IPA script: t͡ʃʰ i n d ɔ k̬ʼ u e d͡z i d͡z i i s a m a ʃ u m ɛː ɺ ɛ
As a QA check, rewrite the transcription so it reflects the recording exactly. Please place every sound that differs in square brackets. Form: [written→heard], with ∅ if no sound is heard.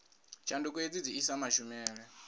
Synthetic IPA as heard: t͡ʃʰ [i→a] n d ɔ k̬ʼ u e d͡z i d͡z i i s a m a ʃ u m ɛː ɺ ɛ

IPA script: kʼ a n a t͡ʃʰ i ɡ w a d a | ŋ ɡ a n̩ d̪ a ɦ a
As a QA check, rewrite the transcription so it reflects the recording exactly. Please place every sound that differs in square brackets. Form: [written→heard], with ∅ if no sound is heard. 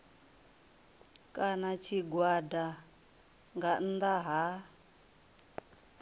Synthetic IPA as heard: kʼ a n a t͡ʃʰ i ɡ w a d a | ŋ ɡ a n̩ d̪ a ɦ a

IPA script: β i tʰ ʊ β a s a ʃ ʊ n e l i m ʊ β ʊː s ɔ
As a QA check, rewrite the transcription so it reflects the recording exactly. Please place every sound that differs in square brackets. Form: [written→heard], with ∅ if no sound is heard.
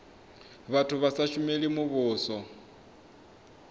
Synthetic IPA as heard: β [i→a] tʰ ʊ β a s a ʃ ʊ [n→m] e l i m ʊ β ʊː s ɔ

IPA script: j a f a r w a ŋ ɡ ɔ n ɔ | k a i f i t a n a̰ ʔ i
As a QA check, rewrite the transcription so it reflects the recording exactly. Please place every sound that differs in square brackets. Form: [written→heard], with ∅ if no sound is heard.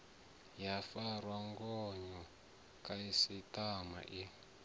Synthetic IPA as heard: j a f a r w a ŋ ɡ ɔ [n→ɲ] ɔ | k a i [f→s] i t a [n→m] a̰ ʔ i

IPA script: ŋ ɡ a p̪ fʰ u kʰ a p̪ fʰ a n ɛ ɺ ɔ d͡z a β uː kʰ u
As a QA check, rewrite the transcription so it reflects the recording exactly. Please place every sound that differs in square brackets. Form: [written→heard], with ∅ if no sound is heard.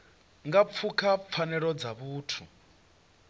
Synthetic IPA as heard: ŋ ɡ a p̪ fʰ u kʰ a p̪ fʰ a n ɛ ɺ ɔ d͡z a β uː [kʰ→tʰ] u

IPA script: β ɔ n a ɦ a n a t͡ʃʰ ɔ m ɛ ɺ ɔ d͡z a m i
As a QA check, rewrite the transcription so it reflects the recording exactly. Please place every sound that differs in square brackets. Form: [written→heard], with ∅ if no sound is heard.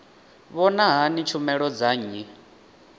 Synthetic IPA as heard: β ɔ n a ɦ a n [a→i] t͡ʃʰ [ɔ→u] m ɛ ɺ ɔ d͡z a [m→ɲ] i

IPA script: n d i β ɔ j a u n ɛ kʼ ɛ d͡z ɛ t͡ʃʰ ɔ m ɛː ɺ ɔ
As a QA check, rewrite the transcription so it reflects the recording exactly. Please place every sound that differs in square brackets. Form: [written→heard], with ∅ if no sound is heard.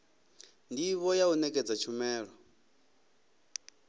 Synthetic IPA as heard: n d i β ɔ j a u n ɛ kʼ ɛ d͡z [ɛ→a] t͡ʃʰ [ɔ→u] m ɛː ɺ ɔ

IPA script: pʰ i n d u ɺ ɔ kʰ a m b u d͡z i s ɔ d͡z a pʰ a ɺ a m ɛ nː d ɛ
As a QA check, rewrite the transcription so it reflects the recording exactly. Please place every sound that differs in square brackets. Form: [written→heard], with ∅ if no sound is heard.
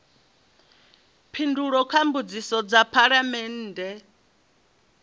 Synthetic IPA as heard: pʰ i n d u ɺ ɔ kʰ a m b u d͡z i s ɔ d͡z a pʰ a ɺ a m ɛ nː d ɛ

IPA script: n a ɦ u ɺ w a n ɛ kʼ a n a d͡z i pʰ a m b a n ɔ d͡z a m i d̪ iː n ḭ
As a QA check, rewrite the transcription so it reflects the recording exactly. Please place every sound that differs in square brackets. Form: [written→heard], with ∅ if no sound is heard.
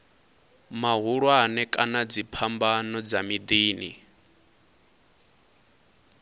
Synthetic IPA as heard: [n→m] a ɦ u ɺ w a n ɛ kʼ a n a d͡z i pʰ a m b a n ɔ d͡z a m i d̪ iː n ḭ

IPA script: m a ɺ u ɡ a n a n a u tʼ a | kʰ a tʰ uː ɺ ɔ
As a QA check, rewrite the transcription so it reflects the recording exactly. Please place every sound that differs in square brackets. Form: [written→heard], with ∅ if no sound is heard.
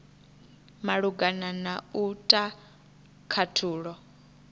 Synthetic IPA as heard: m a ɺ u ɡ a n a n a u tʼ a | kʰ a tʰ uː ɺ ɔ

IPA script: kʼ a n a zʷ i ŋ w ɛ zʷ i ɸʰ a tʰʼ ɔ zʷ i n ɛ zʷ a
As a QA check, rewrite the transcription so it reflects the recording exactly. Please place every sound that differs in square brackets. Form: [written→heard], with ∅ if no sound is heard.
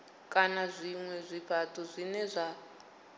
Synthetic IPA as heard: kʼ a n a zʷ i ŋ w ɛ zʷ i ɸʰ a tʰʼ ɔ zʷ i n ɛ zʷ a

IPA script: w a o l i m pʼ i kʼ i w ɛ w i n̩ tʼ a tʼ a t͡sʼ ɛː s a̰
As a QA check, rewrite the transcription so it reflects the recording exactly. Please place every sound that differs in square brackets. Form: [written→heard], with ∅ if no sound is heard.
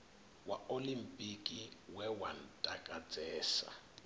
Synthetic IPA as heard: w a o l i m pʼ i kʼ i w ɛ w [i→a] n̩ tʼ a [tʼ→kʼ] a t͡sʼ ɛː s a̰

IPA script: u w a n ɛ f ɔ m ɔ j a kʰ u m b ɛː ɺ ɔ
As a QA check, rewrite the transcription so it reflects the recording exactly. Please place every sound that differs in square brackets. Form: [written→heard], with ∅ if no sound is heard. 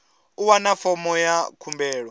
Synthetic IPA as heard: u w a n [ɛ→a] f ɔ m ɔ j a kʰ u m b ɛː ɺ ɔ

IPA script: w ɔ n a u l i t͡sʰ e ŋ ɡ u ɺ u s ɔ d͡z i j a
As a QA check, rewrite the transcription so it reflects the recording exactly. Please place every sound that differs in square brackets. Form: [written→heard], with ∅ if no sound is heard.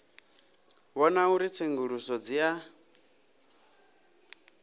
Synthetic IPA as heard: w ɔ n a u [l→ɾ] i t͡sʰ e ŋ ɡ u ɺ u s ɔ d͡z i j a

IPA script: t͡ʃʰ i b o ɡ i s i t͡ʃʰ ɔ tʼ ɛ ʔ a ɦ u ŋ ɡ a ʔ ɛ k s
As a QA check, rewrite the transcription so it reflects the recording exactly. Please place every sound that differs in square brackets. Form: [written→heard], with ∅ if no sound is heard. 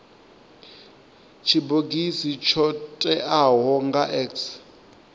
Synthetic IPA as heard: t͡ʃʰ i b o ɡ i s i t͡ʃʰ ɔ tʼ ɛ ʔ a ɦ [u→ɔ] ŋ ɡ a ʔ ɛ k s

